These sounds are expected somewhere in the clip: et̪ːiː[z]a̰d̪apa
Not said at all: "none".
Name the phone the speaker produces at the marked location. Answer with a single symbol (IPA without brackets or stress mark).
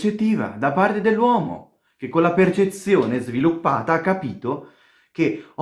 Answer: v